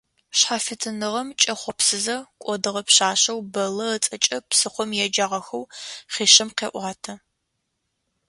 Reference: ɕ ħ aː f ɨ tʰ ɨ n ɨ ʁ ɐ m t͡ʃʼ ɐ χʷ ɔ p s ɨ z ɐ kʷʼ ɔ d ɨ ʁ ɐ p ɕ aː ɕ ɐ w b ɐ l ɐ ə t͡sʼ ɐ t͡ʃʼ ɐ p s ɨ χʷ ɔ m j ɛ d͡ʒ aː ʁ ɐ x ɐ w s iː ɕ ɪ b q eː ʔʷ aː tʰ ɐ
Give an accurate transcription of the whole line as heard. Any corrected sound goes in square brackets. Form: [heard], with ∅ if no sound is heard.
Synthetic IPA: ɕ ħ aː f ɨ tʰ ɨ n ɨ ʁ ɐ m t͡ʃʼ ɐ χʷ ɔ p s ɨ z ɐ kʷʼ ɔ d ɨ ʁ ɐ p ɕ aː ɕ ɐ w b ɐ l ɐ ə t͡sʼ ɐ t͡ʃʼ ɐ p s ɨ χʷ ɔ m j ɛ d͡ʒ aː ʁ ɐ x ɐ w [χ] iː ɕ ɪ [m] q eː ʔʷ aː tʰ ɐ